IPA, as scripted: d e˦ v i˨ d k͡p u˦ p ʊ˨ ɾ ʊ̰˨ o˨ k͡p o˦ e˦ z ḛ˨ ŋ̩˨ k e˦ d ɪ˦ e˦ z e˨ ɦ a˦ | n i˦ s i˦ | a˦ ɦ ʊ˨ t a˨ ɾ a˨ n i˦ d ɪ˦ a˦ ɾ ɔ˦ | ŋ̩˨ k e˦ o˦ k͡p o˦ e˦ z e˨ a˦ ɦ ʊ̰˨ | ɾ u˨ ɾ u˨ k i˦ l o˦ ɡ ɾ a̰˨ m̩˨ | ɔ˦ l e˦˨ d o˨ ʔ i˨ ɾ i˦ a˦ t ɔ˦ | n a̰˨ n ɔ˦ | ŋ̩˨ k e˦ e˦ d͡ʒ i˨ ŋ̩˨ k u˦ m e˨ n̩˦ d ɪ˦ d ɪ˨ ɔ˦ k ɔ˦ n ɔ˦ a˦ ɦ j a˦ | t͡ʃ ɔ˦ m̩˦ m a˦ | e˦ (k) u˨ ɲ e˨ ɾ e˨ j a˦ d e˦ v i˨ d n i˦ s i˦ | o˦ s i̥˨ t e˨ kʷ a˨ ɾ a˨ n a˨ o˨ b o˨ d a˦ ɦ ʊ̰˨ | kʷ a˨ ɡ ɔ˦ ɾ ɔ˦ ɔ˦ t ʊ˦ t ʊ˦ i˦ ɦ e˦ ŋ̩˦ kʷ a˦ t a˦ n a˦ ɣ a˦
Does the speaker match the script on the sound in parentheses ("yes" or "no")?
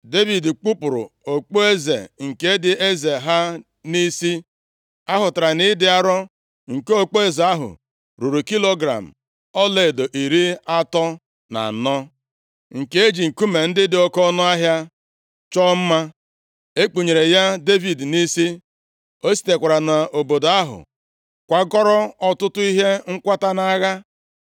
no